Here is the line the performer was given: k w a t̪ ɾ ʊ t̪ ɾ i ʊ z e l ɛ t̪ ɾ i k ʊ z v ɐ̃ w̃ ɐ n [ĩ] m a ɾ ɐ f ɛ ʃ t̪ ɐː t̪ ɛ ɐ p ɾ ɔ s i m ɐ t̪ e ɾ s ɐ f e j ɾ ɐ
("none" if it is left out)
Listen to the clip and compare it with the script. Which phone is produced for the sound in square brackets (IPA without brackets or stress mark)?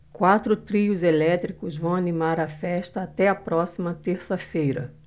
i